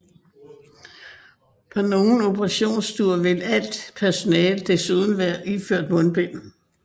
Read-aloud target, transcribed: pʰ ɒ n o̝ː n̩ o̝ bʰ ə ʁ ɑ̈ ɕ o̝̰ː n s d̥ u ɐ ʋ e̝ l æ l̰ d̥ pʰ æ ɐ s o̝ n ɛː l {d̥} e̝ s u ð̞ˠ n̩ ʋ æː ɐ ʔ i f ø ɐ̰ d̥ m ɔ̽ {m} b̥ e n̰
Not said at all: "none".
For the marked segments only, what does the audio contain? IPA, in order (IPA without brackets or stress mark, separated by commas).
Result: d̥, n